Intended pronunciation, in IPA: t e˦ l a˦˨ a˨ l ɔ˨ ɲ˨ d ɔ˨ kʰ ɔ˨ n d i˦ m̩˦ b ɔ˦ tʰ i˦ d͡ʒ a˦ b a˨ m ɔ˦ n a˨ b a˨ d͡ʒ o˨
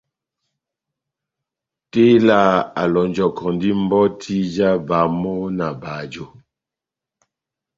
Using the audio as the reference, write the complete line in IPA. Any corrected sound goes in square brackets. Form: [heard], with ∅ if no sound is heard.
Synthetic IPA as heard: t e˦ l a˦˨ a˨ l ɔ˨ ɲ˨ [d͡ʒ] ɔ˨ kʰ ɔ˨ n d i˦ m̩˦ b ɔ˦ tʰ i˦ d͡ʒ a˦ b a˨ m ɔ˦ n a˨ b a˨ d͡ʒ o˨